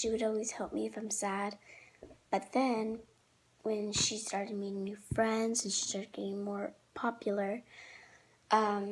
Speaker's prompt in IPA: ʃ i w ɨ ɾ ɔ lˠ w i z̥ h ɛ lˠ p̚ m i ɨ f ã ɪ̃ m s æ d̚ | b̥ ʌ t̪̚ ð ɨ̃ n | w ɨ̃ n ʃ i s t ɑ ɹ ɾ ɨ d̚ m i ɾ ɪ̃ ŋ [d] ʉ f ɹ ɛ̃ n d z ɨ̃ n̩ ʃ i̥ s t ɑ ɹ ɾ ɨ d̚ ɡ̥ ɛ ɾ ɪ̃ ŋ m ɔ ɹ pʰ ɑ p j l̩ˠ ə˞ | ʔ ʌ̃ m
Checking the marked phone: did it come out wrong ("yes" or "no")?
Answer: yes